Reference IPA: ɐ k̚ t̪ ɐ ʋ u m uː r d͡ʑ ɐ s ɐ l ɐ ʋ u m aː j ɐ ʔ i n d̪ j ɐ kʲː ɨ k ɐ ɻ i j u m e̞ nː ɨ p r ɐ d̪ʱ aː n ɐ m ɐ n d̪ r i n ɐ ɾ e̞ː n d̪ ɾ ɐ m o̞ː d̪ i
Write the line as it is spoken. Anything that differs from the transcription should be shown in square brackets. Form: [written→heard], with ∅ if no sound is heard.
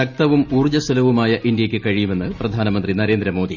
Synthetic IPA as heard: ɐ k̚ t̪ ɐ ʋ u m uː r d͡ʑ ɐ s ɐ l ɐ ʋ u m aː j ɐ ʔ i n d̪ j ɐ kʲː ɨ k ɐ ɻ i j u m e̞ nː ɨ p r ɐ d̪ʱ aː n ɐ m ɐ n d̪ r i n ɐ ɾ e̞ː n d̪ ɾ ɐ m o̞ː d̪ i